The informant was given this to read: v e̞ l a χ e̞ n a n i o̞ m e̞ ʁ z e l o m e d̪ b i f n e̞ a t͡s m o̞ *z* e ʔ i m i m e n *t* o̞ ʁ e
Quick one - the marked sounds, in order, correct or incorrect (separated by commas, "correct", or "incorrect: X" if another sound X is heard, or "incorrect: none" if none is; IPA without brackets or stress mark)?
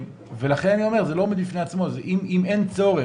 correct, incorrect: t͡s